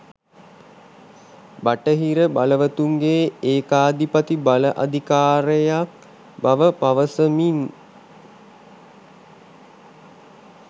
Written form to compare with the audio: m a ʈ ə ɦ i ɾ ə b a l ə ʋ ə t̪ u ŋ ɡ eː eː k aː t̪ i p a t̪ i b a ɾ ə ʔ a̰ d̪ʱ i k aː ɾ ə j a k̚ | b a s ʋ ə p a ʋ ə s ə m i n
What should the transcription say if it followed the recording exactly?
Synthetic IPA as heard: b a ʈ ə ɦ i ɾ ə b a l ə ʋ ə t̪ u ŋ ɡ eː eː k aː d̪ i p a t̪ i b a l ə ʔ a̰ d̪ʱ i k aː ɾ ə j a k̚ | b a ʋ ə p a ʋ ə s ə m i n